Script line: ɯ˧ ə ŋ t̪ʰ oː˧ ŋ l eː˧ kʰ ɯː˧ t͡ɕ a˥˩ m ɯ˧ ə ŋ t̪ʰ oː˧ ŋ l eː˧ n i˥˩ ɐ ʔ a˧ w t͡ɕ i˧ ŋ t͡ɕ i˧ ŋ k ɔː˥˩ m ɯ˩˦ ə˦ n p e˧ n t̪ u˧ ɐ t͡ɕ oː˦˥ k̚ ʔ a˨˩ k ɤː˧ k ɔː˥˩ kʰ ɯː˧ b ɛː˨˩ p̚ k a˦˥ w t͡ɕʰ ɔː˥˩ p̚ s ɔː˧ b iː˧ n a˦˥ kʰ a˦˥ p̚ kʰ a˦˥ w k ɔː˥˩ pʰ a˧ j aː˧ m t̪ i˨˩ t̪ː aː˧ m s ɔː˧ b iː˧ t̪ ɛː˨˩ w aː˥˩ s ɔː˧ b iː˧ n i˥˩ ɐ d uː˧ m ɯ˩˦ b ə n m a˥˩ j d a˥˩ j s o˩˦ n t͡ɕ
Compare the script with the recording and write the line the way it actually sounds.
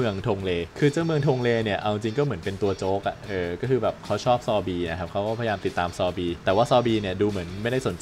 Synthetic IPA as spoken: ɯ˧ ə ŋ t̪ʰ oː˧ ŋ l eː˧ kʰ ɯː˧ t͡ɕ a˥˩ m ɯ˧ ə ŋ t̪ʰ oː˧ ŋ l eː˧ n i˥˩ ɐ ʔ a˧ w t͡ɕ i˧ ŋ t͡ɕ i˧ ŋ k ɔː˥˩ m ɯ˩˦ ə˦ n p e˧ n t̪ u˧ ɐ t͡ɕ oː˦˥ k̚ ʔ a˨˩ ʔ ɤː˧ k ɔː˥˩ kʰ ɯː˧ b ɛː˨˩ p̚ kʰ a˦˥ w t͡ɕʰ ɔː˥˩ p̚ s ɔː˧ b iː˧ n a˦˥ kʰ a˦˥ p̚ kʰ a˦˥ w k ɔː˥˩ pʰ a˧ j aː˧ m t̪ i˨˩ t̪ː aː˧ m s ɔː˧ b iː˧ t̪ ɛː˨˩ w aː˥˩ s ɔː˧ b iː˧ n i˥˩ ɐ d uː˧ m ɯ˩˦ ə n m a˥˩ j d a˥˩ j s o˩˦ n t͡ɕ